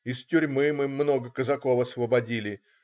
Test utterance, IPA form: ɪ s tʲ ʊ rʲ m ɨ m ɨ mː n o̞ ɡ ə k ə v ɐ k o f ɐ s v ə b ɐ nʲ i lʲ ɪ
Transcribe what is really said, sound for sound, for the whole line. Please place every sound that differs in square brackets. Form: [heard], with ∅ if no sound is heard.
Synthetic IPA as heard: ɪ s tʲ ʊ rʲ m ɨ m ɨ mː n o̞ ɡ ə k ə [z] ɐ k o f ɐ s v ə b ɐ [dʲ] i lʲ ɪ